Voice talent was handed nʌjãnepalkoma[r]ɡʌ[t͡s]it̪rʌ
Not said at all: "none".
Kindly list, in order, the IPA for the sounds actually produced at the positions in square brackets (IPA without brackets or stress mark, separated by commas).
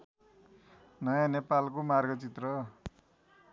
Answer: r, t͡s